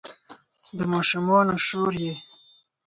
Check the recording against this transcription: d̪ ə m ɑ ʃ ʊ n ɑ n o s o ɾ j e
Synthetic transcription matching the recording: d̪ ə m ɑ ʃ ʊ m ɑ n o ʃ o ɾ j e